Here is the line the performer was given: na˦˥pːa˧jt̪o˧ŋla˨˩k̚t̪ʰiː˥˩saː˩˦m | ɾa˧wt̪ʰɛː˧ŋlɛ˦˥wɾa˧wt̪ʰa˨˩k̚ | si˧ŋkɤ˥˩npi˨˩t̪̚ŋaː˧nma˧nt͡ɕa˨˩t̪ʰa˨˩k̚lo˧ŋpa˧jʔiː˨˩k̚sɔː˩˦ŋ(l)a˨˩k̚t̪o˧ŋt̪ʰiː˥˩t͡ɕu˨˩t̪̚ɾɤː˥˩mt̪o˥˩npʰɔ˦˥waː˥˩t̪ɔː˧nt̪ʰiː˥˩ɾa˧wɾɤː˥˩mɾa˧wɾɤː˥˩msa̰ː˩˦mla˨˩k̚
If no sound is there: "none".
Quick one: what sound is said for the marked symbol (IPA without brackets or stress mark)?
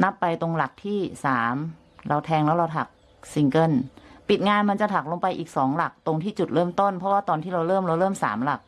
l